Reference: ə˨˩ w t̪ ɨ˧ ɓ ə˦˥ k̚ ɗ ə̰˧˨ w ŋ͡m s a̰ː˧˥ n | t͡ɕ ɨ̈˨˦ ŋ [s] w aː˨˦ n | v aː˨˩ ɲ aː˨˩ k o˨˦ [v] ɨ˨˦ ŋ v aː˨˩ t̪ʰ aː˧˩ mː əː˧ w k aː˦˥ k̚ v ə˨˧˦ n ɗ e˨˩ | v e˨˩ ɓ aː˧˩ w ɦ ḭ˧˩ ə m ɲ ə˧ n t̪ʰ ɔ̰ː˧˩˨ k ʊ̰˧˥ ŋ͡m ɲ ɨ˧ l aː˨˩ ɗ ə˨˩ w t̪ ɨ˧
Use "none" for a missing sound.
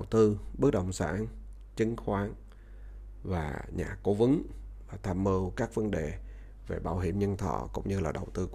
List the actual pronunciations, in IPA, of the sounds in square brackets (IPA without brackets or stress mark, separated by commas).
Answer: x, v